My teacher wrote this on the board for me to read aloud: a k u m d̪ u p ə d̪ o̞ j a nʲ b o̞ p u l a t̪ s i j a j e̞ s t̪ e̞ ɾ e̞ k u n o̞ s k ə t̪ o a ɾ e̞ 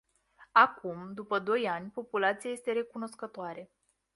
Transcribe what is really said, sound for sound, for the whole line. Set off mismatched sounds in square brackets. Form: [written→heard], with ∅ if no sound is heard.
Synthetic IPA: a k u m d̪ u p ə d̪ o̞ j a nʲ [b→p] o̞ p u l a t̪ s i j a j e̞ s t̪ e̞ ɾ e̞ k u n o̞ s k ə t̪ o a ɾ e̞